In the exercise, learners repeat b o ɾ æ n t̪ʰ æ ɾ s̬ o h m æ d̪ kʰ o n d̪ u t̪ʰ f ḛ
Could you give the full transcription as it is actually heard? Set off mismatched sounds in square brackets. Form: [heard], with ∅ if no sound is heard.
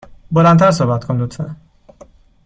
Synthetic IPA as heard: b o [l] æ n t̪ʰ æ ɾ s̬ o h [b] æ [t̪] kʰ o n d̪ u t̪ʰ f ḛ